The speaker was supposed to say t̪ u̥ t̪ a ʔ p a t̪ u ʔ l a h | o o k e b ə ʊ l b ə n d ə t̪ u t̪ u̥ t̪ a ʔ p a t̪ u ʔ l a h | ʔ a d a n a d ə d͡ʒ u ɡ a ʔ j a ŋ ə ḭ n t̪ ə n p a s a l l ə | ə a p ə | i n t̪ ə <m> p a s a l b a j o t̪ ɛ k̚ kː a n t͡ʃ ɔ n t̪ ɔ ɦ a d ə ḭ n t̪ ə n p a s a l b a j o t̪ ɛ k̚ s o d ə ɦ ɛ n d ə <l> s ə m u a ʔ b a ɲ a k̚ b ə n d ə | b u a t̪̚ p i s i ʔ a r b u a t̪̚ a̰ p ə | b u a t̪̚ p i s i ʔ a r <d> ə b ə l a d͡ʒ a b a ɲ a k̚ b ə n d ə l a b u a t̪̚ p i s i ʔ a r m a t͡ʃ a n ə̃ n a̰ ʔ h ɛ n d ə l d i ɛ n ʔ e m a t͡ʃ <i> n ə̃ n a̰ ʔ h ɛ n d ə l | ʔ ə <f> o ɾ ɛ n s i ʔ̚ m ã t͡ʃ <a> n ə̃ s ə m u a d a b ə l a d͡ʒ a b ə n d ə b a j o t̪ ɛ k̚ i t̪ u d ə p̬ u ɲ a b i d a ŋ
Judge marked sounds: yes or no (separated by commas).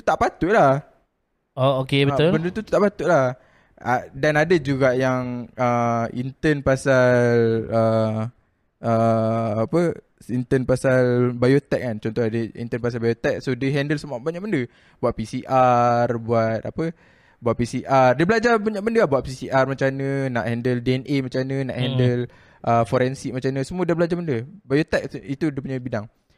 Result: no, yes, yes, no, yes, yes